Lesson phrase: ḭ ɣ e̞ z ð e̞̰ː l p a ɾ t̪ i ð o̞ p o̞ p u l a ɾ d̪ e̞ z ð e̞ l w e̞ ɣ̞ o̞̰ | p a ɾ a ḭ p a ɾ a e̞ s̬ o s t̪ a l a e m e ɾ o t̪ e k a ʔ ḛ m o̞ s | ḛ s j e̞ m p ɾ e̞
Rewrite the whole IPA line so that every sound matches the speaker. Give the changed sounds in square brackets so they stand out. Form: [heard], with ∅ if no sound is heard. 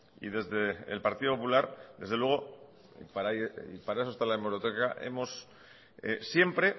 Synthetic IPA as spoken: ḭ [ð] e̞ z ð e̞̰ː l p a ɾ t̪ i ð o̞ p o̞ p u l a ɾ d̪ e̞ z ð e̞ l w e̞ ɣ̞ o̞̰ | p a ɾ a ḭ p a ɾ a e̞ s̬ o s t̪ a l a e m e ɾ o t̪ e k a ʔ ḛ m o̞ s | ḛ s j e̞ m p ɾ e̞